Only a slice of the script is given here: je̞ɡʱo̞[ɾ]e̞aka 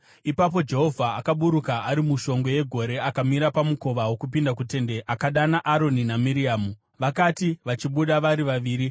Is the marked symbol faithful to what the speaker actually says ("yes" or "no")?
yes